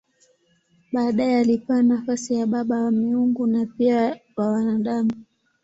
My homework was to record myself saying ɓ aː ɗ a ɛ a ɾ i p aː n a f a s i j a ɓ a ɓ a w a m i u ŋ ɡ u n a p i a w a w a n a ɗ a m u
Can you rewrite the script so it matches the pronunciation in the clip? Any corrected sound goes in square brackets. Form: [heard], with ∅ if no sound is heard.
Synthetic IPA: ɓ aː ɗ a ɛ a [l] i p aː n a f a s i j a ɓ a ɓ a w a m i u ŋ ɡ u n a p i a w a w a n a ɗ a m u